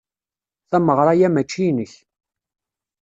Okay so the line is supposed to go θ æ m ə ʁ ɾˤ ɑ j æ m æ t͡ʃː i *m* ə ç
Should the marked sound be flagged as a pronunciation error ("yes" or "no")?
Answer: yes